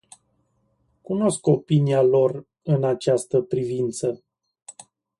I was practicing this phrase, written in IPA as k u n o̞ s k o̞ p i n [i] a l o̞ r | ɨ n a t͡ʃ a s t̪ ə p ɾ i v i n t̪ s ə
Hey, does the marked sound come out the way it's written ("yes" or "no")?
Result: yes